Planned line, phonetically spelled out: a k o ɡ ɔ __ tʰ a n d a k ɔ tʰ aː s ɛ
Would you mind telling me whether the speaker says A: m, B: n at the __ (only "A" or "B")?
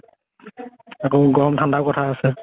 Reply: A